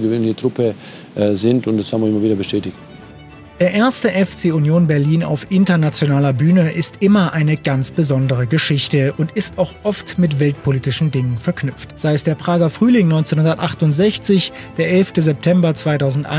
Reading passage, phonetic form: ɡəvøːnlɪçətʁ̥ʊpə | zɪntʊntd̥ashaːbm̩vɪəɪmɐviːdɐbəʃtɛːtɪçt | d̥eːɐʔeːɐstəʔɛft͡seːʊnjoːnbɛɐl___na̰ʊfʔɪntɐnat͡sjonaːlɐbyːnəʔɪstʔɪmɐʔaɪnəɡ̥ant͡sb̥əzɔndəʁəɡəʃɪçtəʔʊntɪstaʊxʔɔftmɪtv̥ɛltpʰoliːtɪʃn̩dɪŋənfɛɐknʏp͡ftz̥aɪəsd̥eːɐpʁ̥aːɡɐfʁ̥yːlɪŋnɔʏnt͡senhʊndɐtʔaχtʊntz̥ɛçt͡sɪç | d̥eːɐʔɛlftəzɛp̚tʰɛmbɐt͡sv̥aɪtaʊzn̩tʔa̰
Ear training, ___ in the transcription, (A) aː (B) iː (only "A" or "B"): B